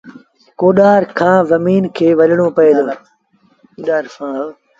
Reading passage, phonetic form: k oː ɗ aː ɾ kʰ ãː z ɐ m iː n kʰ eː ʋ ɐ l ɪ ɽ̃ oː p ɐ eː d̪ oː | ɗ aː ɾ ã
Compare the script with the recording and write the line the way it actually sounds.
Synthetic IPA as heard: k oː ɗ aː ɾ kʰ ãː z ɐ m iː n kʰ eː ʋ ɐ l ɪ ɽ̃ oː p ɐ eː d̪ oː | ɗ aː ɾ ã